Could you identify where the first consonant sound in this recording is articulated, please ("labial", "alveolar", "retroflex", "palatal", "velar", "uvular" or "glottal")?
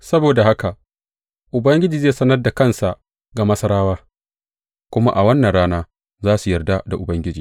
alveolar